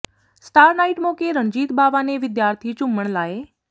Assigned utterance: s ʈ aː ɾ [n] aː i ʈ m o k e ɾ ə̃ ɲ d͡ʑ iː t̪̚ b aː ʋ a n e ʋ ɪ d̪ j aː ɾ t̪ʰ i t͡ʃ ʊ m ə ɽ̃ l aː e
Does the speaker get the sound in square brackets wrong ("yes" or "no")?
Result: no